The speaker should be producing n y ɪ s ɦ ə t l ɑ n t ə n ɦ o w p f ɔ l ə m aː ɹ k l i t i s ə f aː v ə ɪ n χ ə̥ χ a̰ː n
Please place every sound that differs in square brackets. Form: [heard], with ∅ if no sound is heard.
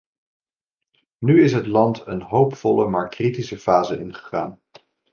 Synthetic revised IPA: n y ɪ s ɦ ə t l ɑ n t ə n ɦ o w p f ɔ l ə m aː ɹ k [r] i t i s ə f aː [z] ə ɪ n χ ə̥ χ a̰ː n